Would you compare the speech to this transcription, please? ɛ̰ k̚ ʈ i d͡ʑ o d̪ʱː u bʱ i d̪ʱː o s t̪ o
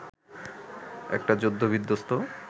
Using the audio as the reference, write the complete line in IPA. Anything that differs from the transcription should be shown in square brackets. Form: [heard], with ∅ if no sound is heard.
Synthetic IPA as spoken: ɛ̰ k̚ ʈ [a] d͡ʑ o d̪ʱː [o] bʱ i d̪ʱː o s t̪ o